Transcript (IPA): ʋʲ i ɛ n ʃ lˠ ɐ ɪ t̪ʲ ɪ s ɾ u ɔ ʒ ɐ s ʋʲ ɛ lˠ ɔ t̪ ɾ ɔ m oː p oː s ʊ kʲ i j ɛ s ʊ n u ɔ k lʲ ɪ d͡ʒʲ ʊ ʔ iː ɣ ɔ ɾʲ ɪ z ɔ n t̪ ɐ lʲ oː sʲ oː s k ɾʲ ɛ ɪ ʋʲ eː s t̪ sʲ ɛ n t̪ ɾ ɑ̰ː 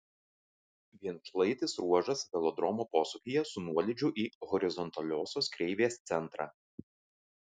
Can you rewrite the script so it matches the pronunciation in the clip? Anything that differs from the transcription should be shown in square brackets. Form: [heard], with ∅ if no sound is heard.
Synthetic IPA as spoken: ʋʲ i ɛ n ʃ lˠ ɐ ɪ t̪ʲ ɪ s ɾ u ɔ ʒ ɐ s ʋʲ ɛ lˠ ɔ [d̪] ɾ ɔ m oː p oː s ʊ kʲ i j ɛ s ʊ n u ɔ [∅] lʲ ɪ d͡ʒʲ ʊ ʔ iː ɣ ɔ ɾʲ ɪ z ɔ n t̪ ɐ lʲ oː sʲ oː s k ɾʲ ɛ ɪ ʋʲ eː s t̪ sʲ ɛ n t̪ ɾ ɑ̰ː